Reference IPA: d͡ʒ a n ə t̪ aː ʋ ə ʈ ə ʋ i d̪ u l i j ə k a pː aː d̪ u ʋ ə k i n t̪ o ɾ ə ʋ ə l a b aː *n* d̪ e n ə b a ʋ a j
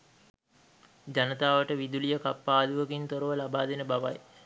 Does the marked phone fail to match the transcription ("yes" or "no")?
yes